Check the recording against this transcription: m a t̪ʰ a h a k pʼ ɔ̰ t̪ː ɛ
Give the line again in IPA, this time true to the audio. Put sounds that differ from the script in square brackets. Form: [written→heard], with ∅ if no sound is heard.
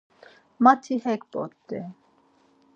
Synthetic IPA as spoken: m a t̪ʰ [a→i] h [a→ɛ] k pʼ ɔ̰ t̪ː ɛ

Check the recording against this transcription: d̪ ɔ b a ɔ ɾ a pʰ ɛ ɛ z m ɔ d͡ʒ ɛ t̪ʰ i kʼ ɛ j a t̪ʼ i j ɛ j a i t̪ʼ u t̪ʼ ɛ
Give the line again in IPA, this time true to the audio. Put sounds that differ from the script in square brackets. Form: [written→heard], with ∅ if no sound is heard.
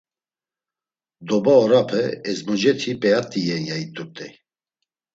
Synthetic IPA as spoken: d̪ ɔ b a ɔ ɾ a pʰ ɛ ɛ z m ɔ d͡ʒ ɛ t̪ʰ i [kʼ→pʼ] ɛ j a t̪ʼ i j ɛ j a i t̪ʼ u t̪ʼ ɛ

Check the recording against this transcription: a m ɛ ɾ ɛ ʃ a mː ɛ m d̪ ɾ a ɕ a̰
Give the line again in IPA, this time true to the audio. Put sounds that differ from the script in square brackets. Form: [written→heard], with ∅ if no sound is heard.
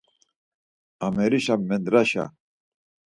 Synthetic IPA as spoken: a m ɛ ɾ [ɛ→i] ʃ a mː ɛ [m→n] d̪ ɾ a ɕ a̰

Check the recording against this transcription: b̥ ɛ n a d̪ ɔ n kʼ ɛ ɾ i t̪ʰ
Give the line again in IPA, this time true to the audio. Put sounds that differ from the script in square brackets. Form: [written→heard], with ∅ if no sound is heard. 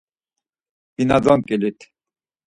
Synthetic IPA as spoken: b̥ [ɛ→i] n a d̪ ɔ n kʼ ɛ [ɾ→l] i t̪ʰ

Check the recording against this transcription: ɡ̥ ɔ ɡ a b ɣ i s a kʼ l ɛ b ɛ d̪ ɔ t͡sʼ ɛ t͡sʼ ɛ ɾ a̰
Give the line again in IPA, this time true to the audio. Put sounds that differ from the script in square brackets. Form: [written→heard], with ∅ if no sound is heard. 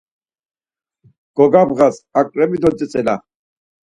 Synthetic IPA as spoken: ɡ̥ ɔ ɡ a b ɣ [i→a] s a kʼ [l→ɾ] ɛ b [ɛ→i] d̪ ɔ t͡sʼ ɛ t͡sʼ ɛ [ɾ→l] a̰

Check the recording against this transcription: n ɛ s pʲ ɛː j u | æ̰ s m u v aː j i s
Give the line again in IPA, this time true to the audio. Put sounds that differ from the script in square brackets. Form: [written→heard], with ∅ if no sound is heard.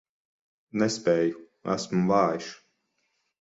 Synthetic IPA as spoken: n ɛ s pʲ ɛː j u | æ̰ s m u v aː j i [s→ʃ]

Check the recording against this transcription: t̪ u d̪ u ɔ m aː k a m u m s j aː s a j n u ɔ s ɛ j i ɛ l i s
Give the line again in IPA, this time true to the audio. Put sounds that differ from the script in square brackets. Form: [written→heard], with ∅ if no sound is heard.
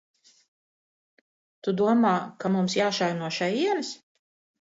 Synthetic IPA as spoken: t̪ u d̪ u ɔ m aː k a m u m s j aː [s→ʃ] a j n u ɔ [s→ʃ] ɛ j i ɛ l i s

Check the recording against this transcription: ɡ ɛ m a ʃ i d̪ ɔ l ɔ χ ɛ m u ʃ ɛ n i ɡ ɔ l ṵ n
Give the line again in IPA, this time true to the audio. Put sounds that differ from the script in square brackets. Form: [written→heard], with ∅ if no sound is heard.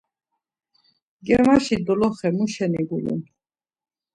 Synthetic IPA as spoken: ɡ ɛ m a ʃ i d̪ ɔ l ɔ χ ɛ m u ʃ ɛ n i ɡ [ɔ→u] l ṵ n

